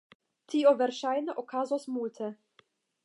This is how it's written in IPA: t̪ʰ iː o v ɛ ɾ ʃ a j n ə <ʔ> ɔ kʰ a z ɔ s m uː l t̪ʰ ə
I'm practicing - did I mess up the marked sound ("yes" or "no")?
no